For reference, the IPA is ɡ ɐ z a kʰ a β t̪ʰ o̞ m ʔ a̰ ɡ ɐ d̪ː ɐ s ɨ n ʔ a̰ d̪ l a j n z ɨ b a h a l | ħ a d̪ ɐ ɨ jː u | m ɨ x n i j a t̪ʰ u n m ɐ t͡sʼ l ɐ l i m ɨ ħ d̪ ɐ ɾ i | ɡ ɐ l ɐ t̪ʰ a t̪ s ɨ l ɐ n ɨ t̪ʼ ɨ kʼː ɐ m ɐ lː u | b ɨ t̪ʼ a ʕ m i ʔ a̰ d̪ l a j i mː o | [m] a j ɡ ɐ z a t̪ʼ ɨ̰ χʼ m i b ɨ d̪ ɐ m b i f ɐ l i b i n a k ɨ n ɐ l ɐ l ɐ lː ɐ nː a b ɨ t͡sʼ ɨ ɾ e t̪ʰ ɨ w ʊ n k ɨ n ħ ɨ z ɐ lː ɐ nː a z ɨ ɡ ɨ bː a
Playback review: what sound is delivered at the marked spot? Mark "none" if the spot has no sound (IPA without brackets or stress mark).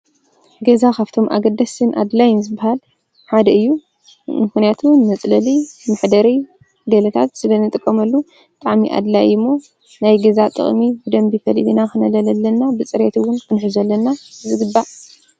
n